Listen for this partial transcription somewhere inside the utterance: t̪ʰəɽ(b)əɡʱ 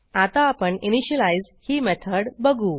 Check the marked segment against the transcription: correct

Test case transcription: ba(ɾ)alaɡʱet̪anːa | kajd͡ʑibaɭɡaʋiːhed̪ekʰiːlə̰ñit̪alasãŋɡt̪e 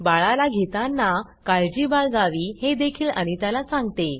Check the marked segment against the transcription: incorrect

